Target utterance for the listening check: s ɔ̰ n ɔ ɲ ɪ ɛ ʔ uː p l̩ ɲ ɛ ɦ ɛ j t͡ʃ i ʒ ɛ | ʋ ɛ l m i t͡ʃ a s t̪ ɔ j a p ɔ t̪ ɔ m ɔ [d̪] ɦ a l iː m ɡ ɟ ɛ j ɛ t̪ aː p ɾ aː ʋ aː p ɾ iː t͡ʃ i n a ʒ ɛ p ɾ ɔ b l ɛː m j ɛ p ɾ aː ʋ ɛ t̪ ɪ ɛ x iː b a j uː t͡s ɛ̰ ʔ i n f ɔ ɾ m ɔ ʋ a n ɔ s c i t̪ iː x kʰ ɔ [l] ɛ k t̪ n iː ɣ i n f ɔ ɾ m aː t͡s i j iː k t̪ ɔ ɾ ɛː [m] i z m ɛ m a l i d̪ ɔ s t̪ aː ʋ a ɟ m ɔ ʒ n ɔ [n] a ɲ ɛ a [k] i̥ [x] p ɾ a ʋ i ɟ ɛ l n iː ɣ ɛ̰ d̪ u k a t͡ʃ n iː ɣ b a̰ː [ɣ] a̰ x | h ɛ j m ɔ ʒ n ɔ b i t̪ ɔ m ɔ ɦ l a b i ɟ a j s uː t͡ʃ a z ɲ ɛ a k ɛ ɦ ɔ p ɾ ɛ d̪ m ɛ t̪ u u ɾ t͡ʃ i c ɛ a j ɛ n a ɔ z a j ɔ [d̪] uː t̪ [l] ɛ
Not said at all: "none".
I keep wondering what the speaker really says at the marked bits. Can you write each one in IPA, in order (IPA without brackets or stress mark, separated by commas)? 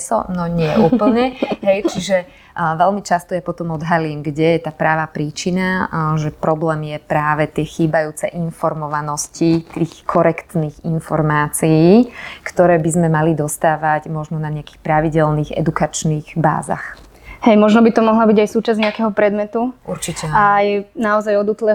d̪, ɾ, b, n, k, x, z, d̪, l